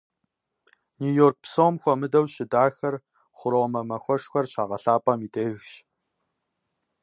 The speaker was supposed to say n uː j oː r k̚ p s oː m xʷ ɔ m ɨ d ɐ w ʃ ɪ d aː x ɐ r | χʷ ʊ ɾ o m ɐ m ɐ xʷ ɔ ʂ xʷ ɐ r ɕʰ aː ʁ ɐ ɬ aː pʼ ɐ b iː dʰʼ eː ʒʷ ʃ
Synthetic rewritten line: n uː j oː r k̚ p s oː m xʷ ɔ m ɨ d ɐ w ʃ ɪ d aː x ɐ r | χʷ ʊ ɾ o m ɐ m ɐ xʷ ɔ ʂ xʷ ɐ r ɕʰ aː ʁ ɐ ɬ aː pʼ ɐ m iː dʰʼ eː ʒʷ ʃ